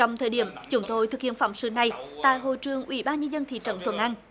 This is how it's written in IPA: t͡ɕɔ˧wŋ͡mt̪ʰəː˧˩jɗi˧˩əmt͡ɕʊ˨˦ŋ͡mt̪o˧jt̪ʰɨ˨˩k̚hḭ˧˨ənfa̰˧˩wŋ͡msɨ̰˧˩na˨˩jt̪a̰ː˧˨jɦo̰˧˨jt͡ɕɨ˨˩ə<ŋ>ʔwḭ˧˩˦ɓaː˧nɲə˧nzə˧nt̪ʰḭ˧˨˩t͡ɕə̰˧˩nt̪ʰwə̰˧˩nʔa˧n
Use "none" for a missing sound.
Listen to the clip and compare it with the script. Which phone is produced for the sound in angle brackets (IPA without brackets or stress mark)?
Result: ŋ